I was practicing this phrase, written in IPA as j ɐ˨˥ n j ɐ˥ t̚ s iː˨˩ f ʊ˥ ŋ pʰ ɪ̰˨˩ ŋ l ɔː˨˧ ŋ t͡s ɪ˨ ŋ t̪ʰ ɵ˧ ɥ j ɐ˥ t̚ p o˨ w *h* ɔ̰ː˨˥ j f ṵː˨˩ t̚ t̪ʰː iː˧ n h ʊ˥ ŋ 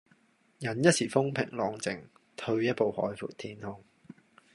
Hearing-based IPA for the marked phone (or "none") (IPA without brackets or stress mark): h